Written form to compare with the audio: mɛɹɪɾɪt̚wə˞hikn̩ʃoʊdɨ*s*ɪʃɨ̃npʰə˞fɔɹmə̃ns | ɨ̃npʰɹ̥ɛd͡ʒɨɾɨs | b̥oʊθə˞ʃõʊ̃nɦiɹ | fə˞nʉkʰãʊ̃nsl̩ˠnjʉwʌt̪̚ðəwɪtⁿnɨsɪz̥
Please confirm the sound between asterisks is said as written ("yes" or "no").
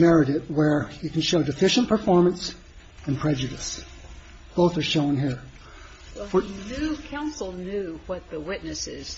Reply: no